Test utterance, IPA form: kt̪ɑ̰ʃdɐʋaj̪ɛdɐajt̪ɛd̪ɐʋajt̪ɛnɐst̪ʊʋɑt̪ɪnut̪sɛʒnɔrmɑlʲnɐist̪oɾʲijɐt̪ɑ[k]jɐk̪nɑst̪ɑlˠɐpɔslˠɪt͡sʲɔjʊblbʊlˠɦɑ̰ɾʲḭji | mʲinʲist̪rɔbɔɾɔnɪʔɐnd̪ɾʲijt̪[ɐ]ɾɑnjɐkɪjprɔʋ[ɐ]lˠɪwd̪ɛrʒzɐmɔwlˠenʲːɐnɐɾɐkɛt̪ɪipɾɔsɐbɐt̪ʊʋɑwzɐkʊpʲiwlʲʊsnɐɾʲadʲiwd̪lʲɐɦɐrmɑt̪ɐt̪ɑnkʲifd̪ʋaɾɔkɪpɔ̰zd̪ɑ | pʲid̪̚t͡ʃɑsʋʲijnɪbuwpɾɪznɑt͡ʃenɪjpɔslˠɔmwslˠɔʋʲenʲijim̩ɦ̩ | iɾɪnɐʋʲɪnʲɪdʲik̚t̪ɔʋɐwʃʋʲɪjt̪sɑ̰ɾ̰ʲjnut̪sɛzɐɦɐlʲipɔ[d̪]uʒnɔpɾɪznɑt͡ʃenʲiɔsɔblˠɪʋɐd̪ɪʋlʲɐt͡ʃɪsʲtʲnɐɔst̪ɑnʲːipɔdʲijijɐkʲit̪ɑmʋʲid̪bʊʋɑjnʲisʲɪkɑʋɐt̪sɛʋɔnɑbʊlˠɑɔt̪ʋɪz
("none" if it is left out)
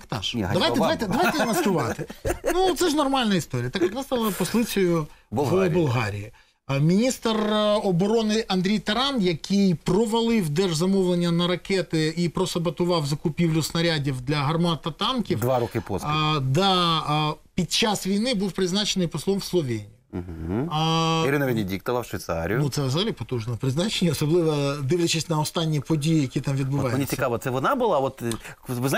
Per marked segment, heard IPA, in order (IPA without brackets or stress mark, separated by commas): k, ɐ, ɐ, t̪